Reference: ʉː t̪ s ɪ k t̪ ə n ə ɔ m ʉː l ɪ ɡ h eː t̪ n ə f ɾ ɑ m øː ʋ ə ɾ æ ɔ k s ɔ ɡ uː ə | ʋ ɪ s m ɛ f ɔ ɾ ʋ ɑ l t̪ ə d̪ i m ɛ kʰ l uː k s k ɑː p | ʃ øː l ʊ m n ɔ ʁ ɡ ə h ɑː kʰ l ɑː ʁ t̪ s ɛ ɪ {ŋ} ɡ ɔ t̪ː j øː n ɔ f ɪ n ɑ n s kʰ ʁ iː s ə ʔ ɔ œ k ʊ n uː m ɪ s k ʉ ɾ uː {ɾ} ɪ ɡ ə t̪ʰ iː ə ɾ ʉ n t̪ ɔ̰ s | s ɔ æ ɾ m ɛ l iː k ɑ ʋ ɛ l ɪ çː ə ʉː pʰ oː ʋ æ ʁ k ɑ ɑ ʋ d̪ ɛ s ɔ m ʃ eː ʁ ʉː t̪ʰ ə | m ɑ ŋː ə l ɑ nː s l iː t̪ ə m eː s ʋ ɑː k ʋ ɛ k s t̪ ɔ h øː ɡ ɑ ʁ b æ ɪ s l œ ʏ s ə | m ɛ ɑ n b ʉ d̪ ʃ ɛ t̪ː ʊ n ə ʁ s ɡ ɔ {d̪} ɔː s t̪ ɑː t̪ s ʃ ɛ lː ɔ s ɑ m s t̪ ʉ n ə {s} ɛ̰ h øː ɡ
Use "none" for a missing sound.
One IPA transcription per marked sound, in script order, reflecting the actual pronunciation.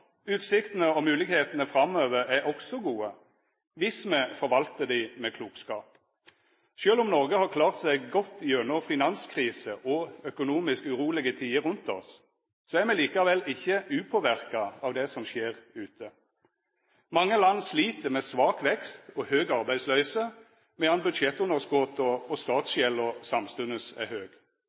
ɡ, l, t̪, s

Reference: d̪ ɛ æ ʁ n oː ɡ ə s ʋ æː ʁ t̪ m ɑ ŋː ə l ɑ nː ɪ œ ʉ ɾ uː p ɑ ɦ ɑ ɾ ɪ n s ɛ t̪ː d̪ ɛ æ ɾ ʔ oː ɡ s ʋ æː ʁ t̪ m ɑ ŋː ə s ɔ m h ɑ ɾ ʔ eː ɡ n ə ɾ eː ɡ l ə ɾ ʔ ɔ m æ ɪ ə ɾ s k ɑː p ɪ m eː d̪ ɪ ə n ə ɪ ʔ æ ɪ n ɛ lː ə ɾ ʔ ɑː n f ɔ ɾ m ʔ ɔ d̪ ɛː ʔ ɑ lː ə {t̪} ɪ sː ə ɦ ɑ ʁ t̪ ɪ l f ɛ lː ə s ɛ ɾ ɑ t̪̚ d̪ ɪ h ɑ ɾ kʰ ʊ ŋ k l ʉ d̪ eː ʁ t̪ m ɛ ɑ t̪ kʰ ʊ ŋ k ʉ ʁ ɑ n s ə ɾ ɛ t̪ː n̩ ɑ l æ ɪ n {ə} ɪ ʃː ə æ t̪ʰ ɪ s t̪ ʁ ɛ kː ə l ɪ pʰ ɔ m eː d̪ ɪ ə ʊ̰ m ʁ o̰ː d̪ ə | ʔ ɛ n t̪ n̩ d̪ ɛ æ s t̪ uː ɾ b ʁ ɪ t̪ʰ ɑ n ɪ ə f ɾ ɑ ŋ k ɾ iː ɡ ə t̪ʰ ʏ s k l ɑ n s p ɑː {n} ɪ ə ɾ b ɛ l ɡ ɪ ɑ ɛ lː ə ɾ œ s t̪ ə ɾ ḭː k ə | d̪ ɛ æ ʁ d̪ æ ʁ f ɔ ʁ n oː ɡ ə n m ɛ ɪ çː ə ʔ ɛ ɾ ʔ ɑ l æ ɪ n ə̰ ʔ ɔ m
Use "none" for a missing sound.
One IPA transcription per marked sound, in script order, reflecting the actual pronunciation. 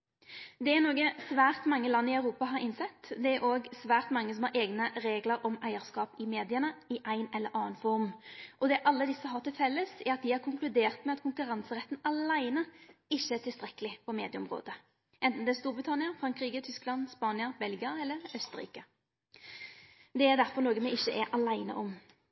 d̪, ə, n

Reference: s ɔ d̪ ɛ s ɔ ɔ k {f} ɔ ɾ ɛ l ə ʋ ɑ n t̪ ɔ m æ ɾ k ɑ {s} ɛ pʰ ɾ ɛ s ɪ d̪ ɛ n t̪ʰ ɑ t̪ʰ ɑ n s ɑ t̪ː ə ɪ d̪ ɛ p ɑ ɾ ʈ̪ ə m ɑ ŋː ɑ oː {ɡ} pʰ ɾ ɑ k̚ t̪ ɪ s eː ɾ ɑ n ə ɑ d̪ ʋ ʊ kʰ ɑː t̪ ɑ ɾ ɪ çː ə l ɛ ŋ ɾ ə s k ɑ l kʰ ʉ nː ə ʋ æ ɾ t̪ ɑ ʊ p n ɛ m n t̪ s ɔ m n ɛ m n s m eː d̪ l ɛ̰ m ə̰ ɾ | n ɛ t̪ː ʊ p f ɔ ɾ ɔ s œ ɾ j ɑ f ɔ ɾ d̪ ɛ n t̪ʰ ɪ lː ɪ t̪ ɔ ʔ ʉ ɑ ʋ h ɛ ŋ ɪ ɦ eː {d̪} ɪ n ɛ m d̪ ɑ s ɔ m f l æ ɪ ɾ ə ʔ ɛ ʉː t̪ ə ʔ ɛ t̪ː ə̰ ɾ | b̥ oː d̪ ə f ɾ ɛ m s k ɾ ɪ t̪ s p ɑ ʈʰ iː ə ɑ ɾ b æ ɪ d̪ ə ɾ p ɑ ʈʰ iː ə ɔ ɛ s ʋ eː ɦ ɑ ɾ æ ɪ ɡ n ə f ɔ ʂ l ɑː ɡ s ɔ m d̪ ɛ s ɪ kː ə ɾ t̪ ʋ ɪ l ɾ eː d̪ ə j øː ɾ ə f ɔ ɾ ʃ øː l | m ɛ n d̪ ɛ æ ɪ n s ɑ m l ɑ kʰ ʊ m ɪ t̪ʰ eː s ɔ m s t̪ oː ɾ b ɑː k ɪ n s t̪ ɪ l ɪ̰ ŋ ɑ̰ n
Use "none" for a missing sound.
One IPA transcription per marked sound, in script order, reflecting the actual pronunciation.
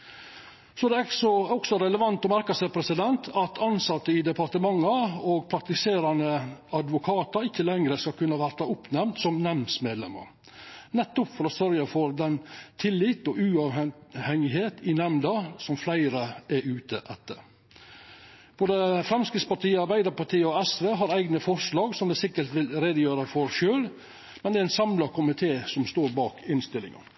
s, s, ɡ, t̪

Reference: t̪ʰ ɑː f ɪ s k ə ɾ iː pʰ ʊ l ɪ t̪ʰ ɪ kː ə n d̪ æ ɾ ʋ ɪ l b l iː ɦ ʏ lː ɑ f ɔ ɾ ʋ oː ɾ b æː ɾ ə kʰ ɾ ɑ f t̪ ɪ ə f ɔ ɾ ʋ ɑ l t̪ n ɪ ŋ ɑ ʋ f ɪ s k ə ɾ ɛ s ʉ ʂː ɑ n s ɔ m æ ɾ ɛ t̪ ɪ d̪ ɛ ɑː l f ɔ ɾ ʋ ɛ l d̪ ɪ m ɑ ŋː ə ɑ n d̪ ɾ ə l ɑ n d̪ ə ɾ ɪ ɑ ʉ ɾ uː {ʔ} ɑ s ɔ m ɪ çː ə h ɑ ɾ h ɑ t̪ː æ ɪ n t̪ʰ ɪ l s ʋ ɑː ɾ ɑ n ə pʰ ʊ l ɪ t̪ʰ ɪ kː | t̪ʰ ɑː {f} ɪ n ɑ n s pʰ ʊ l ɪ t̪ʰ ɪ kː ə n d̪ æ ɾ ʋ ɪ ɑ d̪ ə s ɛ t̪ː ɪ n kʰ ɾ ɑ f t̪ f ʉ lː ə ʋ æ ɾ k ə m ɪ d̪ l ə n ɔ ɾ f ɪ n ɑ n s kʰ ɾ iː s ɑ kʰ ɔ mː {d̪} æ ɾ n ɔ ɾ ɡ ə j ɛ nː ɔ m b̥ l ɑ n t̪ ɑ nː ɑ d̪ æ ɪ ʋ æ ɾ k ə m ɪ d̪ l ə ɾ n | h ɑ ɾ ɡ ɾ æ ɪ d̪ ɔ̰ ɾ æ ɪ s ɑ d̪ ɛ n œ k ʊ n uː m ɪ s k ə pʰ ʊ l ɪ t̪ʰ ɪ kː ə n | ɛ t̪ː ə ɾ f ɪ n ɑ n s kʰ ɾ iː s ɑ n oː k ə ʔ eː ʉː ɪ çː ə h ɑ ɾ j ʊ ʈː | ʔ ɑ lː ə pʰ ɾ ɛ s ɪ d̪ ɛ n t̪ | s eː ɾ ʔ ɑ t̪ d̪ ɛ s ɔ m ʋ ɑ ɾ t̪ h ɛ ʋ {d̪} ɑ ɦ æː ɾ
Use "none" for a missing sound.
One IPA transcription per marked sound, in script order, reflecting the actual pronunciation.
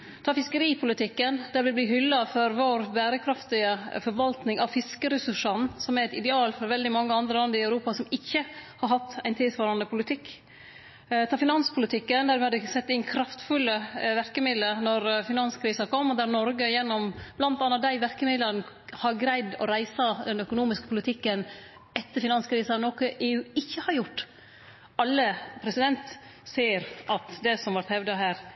p, f, d̪, d̪

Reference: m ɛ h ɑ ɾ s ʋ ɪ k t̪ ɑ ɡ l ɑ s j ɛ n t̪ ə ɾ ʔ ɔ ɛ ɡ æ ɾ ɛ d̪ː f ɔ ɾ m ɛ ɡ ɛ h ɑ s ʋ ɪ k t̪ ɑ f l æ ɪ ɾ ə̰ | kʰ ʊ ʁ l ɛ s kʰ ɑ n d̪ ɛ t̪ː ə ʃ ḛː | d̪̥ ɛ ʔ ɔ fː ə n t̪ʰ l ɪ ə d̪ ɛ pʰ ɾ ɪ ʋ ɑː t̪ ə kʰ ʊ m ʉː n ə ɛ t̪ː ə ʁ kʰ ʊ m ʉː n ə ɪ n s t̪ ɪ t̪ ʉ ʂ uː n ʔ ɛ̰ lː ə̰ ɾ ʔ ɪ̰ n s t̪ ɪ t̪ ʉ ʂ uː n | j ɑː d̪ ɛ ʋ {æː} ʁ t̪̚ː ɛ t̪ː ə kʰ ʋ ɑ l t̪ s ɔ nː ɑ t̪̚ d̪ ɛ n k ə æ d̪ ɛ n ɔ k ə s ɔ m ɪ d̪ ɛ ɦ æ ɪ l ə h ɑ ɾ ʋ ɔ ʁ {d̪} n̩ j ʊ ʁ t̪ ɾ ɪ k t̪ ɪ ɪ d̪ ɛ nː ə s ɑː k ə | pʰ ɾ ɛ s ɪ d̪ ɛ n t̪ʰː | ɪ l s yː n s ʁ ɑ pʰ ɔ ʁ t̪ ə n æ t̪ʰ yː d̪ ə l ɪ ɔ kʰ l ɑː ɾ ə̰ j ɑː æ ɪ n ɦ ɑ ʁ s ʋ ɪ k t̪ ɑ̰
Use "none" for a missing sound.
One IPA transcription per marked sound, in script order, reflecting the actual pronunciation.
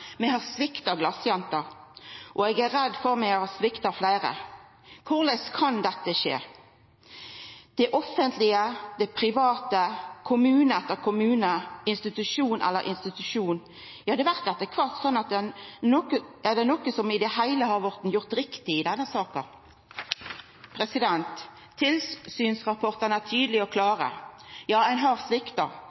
æ, t̪

